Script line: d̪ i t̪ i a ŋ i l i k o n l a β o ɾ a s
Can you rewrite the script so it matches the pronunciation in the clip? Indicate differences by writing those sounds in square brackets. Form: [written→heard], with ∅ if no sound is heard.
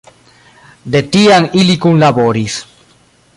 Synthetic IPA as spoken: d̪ [i→e] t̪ i a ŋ i l i k [o→u] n l a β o ɾ [a→i] s